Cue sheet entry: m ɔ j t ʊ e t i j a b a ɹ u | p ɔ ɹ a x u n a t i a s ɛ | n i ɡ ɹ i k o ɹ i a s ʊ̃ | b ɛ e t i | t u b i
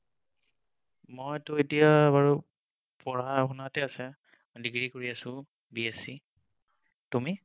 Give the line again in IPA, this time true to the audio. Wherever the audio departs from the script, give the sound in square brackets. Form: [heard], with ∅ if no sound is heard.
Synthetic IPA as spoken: m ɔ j t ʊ e t i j a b a ɹ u | p ɔ ɹ a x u n a t [ɛ] a s ɛ | [d] i ɡ ɹ i k o ɹ i a s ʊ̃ | b [i] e [s] i | t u [m] i